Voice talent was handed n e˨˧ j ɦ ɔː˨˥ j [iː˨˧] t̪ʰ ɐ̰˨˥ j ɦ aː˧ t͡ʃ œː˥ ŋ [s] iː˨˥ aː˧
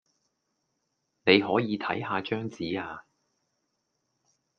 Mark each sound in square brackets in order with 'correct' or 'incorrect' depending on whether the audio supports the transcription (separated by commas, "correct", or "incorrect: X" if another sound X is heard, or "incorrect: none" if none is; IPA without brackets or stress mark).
correct, incorrect: t͡s